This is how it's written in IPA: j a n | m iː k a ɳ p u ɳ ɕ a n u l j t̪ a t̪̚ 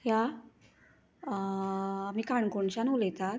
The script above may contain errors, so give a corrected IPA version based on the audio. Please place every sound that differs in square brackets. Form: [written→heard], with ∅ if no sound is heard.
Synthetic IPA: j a [n→∅] | m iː k a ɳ [p→k] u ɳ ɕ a n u l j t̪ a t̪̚

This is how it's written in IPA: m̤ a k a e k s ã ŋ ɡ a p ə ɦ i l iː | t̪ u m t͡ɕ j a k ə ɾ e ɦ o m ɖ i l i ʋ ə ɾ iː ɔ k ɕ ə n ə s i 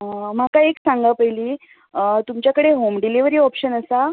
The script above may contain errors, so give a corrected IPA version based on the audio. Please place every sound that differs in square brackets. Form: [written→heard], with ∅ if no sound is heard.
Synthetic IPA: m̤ a k a e k s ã ŋ ɡ a p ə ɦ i l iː | t̪ u m t͡ɕ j a k ə [ɾ→ɽ] e ɦ o m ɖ i l i ʋ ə ɾ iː ɔ [k→p] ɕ ə n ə s [i→a]

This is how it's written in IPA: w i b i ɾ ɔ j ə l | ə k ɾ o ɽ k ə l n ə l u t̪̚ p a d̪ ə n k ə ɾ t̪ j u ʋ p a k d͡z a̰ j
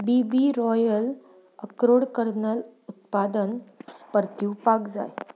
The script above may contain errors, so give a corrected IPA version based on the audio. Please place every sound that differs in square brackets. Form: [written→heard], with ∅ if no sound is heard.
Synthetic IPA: [w→b] i b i ɾ ɔ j ə l | ə k ɾ o ɽ k ə [l→ɾ] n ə l u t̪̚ p a d̪ ə n [k→p] ə ɾ t̪ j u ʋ p a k d͡z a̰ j

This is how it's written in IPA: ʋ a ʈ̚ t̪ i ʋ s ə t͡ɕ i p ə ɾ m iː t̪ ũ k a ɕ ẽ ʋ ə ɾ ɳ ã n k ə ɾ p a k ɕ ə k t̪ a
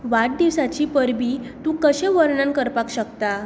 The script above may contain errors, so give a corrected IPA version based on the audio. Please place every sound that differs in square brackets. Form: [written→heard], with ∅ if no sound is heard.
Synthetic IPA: ʋ a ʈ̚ [t̪→d̪] i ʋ s [ə→a] t͡ɕ i p ə ɾ [m→b] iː t̪ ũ k [a→ə] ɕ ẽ ʋ ə ɾ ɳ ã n k ə ɾ p a k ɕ ə k t̪ a

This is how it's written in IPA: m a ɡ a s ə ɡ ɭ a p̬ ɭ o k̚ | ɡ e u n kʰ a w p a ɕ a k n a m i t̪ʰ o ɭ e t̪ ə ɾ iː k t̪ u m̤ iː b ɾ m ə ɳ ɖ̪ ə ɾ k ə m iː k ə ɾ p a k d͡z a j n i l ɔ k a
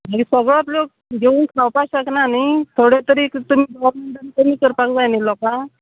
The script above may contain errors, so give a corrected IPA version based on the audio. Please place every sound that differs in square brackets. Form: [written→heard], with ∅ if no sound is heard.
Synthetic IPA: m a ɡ [a→i] s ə ɡ ɭ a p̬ [ɭ→l] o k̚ | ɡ e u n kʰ a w p a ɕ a k n a [m→n] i t̪ʰ o [ɭ→ɽ] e t̪ ə ɾ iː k t̪ u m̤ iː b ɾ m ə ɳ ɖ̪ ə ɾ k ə m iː k ə ɾ p a k d͡z a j n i l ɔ k a

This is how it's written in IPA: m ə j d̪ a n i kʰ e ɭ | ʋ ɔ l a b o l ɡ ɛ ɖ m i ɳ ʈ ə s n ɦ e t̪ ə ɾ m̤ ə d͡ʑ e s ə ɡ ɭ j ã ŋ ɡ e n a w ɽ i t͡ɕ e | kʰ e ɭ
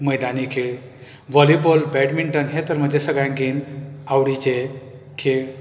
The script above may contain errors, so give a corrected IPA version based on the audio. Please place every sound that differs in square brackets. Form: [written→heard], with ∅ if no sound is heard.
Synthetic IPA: m ə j d̪ a n i kʰ e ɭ | ʋ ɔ l [a→i] b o l [ɡ→b] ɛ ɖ m i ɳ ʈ ə [s→∅] n ɦ e t̪ ə ɾ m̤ ə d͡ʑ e s ə ɡ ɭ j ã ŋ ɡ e n a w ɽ i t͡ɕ e | kʰ e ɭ

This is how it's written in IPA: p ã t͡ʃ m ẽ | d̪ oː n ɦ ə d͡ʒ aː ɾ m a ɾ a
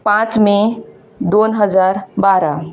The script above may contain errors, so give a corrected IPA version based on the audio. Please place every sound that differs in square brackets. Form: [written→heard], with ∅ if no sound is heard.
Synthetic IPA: p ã t͡ʃ m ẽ | d̪ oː n ɦ ə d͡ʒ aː ɾ [m→b] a ɾ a

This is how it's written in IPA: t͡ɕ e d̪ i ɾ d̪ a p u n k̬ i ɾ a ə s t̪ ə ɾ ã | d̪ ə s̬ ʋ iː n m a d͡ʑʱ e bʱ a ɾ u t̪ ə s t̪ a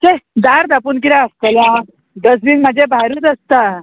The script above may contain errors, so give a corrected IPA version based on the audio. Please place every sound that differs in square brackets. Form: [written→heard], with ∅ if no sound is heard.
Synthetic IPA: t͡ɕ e d̪ [i→a] ɾ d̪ a p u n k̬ i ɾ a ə s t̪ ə [ɾ→l] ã | d̪ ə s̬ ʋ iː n m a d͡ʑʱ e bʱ a ɾ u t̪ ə s t̪ a

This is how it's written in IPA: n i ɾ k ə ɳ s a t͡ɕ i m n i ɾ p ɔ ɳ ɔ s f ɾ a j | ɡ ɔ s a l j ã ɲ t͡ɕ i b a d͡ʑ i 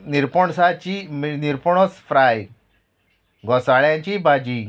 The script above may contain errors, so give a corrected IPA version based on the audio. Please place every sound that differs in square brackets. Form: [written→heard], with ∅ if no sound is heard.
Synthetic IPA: n i ɾ [k→p] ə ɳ s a t͡ɕ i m n i ɾ p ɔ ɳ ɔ s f ɾ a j | ɡ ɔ s a [l→ɭ] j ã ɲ t͡ɕ i b a d͡ʑ i

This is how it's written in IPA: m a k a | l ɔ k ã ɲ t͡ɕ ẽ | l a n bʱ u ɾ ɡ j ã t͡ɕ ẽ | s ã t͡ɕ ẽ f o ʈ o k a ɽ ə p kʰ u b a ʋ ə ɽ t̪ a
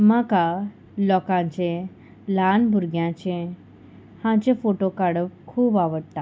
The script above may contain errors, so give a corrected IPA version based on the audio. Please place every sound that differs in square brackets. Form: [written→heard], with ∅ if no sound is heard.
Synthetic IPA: m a k a | l ɔ k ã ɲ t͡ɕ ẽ | l a n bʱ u ɾ ɡ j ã t͡ɕ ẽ | [s→h] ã t͡ɕ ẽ f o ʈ o k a ɽ ə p kʰ [u→uː] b a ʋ ə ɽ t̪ a

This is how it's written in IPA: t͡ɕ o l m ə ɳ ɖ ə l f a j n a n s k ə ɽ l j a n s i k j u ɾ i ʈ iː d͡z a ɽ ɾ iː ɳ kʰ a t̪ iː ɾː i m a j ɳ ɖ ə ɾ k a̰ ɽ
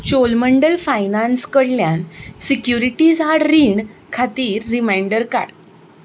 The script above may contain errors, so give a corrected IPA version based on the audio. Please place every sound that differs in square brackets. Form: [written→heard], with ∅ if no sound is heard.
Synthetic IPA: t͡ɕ o l m ə ɳ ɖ ə l f a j n a n s k ə ɽ l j a n s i k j u ɾ i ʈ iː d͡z a ɽ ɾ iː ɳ kʰ a t̪ iː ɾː i m a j ɳ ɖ ə ɾ k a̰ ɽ

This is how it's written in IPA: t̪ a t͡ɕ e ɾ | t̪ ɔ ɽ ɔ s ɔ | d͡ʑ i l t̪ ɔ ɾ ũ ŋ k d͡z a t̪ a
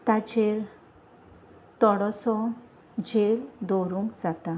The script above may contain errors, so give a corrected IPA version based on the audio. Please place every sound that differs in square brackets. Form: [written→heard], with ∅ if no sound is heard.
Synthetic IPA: t̪ a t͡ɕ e ɾ | t̪ ɔ ɽ ɔ s ɔ | d͡ʑ [i→e] l [t̪→d̪] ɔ ɾ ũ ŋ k d͡z a t̪ a

